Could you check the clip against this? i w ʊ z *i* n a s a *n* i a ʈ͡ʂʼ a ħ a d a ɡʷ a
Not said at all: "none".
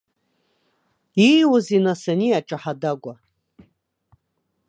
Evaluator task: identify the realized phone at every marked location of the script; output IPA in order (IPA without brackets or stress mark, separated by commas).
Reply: i, n